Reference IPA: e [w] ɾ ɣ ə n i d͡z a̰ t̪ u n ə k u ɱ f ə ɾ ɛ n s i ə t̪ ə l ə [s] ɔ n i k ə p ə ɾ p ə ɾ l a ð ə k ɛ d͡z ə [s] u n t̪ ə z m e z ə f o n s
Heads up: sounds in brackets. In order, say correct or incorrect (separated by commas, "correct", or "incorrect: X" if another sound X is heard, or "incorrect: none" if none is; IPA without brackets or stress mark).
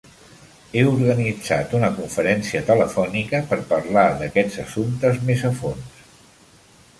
incorrect: u, incorrect: f, correct